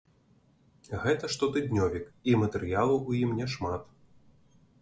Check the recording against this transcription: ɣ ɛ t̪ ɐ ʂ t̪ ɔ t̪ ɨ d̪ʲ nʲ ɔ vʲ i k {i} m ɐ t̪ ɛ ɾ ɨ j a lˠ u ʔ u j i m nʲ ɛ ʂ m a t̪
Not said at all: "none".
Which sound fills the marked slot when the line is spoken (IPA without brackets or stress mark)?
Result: i